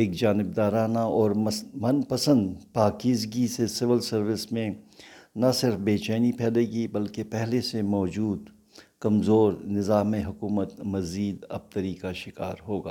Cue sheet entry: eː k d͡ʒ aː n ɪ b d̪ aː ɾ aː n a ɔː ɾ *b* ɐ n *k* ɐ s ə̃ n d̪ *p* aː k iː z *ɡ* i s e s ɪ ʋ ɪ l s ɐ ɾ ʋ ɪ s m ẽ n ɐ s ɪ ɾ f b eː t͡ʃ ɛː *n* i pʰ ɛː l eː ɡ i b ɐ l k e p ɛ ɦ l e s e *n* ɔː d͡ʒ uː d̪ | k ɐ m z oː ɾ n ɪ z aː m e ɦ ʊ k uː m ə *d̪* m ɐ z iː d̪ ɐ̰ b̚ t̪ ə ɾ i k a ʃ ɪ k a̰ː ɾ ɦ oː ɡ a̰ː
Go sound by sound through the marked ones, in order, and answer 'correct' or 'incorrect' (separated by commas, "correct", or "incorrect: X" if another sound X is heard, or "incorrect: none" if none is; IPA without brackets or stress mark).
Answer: incorrect: m, incorrect: p, correct, correct, correct, incorrect: m, incorrect: t̪